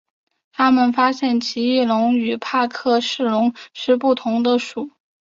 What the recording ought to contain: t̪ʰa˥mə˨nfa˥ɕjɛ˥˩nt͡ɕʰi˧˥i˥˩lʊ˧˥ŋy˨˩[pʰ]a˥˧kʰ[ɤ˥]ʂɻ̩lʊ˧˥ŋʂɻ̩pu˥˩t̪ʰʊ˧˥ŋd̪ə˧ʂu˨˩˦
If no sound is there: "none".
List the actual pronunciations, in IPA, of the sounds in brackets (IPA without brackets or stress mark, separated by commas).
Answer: pʰ, ɤ˥˧